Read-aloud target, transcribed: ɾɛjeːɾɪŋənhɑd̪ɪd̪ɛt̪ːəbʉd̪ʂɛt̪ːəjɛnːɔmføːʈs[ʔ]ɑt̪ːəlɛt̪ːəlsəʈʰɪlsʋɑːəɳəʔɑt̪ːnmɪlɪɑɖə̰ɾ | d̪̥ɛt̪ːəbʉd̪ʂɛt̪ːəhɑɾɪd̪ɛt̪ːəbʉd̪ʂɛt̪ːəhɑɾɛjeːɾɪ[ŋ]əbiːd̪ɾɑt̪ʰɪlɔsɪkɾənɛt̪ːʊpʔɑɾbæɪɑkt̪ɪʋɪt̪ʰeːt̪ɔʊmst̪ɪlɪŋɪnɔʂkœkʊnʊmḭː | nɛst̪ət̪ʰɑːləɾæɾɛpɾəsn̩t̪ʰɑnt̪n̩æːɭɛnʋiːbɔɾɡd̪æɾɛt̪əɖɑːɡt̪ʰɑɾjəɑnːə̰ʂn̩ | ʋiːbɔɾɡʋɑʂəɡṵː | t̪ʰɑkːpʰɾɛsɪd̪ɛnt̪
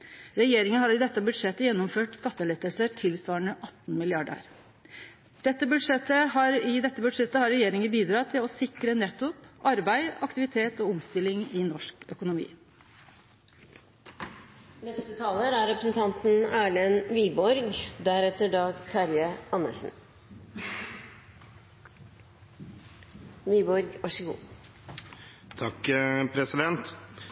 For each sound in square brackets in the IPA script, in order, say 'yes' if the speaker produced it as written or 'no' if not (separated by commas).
no, yes